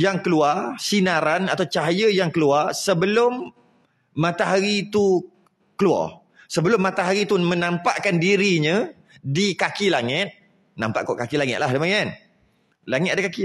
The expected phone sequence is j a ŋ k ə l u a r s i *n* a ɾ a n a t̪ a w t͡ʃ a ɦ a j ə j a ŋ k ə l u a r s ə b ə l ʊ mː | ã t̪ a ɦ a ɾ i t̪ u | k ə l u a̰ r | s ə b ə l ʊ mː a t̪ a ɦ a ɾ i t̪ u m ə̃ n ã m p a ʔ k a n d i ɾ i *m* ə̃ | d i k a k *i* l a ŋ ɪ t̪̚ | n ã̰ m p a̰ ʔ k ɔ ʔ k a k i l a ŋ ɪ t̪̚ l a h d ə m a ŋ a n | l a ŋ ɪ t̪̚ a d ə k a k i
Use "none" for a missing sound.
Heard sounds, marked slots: n, ɲ, i

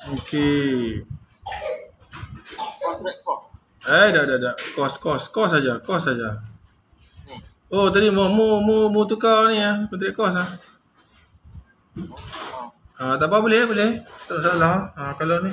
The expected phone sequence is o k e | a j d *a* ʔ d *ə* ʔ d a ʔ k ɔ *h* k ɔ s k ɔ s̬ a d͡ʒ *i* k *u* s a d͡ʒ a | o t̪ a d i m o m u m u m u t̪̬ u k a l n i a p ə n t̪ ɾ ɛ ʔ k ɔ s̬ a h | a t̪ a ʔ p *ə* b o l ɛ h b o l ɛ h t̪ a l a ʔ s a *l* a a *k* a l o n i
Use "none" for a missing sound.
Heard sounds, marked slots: a, a, s, a, ɔ, a, l, k

